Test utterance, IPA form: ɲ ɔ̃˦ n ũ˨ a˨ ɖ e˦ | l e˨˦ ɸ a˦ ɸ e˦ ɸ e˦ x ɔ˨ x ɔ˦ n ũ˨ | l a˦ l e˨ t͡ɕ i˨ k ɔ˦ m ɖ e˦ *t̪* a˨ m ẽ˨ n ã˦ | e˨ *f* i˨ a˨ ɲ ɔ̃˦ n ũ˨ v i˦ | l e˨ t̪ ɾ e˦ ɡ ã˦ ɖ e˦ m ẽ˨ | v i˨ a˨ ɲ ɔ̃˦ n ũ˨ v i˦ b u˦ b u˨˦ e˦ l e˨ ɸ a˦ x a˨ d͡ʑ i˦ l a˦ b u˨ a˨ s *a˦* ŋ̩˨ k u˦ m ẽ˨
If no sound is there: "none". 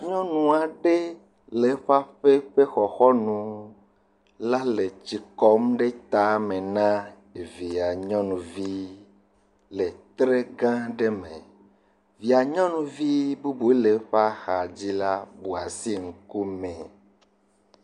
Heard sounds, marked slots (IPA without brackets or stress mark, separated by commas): t̪, v, i˦